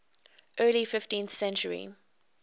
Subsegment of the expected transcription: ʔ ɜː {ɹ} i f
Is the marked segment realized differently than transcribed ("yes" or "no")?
yes